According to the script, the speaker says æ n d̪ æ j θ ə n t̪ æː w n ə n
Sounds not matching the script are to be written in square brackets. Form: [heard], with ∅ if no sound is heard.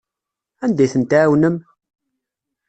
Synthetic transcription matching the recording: æ n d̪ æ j θ ə n t̪ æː w n ə [m]